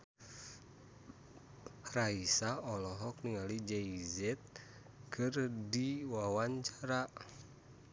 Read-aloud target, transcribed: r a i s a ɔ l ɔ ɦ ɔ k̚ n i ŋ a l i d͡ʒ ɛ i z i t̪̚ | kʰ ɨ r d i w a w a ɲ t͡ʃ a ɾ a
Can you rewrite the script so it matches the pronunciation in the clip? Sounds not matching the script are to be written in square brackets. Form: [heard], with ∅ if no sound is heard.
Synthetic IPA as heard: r a i s a ɔ l ɔ ɦ ɔ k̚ n i ŋ a l i d͡ʒ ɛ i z [ɛ] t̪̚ | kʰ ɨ r d i w a w a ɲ t͡ʃ a ɾ a